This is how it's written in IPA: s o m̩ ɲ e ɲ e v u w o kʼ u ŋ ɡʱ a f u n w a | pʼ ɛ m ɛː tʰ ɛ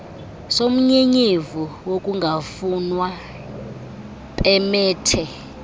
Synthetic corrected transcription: s o m̩ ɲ e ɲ e v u w o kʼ u ŋ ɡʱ a f u n w a | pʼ ɛ m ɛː tʰ ɛ